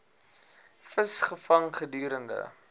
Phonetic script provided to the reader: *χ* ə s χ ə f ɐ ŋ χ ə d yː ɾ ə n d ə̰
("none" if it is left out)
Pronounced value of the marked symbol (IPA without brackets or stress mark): f